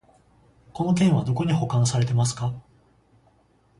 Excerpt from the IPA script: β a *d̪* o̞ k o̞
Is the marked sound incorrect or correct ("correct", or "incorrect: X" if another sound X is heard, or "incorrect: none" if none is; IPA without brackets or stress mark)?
correct